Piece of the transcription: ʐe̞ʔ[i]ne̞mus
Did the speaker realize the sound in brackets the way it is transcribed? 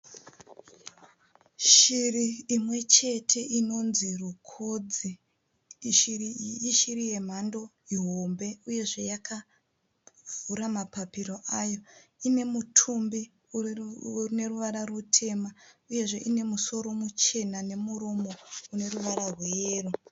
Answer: yes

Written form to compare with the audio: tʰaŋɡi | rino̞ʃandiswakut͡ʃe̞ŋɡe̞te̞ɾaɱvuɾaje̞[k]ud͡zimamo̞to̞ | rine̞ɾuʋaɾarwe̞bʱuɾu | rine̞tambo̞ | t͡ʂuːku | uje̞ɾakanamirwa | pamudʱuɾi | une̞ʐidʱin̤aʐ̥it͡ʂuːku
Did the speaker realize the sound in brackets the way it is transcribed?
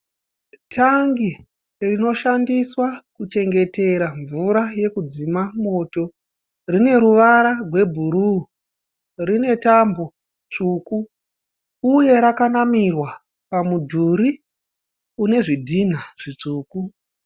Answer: yes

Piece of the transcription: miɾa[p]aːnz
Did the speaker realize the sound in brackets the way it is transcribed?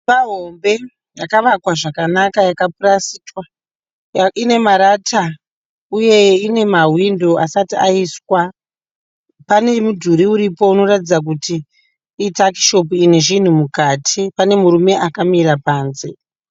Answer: yes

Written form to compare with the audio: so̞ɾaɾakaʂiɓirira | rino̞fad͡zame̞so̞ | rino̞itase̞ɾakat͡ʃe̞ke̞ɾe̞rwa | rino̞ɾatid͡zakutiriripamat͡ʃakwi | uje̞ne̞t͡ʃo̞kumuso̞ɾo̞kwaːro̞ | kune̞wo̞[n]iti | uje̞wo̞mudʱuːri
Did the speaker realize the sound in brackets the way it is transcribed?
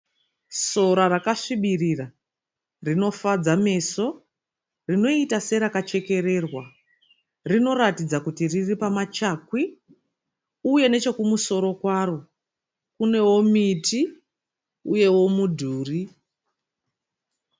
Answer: no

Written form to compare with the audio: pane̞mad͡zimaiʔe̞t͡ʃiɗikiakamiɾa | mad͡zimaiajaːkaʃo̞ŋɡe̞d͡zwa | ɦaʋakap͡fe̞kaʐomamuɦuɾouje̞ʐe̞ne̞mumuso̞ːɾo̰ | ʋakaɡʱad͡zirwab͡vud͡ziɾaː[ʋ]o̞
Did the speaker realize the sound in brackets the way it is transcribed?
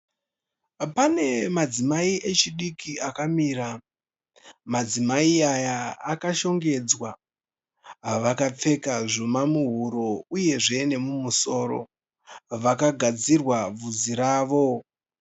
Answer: yes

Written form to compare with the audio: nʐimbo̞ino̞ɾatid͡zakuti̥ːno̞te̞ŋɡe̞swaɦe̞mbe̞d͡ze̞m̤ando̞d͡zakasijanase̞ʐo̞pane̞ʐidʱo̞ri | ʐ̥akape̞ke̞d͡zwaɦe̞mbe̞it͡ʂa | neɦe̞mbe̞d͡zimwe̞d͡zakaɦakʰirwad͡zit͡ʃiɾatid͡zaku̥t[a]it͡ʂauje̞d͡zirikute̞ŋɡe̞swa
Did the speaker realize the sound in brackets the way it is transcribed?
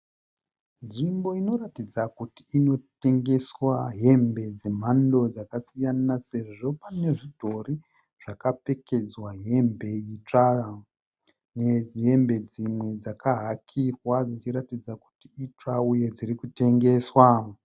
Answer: no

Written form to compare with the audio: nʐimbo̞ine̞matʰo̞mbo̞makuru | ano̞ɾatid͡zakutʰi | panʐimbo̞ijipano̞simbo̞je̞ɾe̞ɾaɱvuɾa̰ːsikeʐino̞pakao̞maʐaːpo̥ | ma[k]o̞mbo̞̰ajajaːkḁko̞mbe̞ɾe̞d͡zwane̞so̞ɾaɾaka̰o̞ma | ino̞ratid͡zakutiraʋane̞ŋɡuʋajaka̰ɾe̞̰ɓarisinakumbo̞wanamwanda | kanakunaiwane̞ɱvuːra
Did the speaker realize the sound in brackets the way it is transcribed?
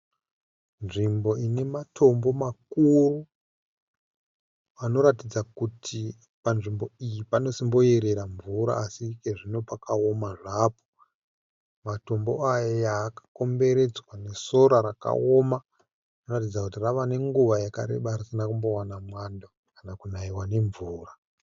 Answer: no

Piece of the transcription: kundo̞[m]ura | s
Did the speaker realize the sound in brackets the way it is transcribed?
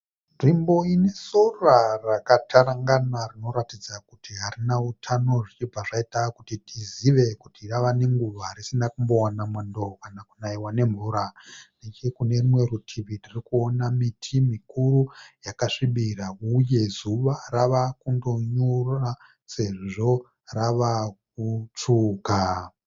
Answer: no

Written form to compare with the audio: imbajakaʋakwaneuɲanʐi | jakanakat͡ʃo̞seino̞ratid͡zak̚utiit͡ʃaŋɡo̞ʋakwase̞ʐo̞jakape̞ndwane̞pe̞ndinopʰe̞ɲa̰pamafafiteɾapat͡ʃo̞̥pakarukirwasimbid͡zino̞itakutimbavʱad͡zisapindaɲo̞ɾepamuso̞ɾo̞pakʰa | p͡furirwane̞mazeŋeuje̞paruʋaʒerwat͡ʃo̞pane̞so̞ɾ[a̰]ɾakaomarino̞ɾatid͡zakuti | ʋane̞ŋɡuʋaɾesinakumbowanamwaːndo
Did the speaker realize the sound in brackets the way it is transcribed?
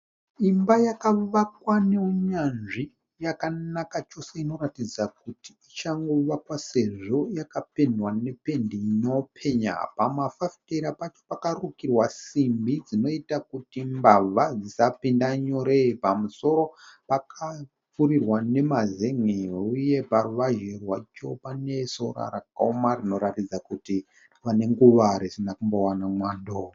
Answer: yes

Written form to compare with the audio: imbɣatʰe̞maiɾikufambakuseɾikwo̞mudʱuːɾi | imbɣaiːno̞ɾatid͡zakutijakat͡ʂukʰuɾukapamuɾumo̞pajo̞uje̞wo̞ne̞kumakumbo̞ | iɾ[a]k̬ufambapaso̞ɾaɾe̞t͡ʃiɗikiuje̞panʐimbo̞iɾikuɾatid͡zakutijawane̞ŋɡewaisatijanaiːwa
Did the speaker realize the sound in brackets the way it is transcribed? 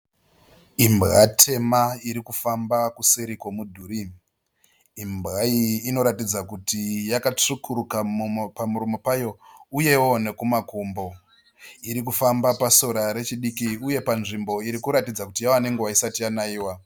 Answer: no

